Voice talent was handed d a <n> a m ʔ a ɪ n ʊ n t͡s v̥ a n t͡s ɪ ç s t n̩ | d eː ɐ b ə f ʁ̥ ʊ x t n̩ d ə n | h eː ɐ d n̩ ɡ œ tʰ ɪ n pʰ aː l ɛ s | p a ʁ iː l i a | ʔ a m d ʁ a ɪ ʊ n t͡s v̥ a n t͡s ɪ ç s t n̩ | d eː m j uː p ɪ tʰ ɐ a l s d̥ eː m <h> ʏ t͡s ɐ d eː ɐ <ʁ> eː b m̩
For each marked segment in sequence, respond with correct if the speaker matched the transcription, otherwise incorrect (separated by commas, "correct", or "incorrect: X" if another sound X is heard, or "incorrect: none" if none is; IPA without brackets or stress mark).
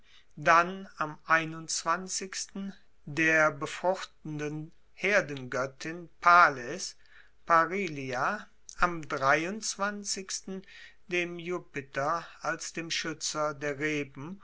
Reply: correct, incorrect: ʃ, correct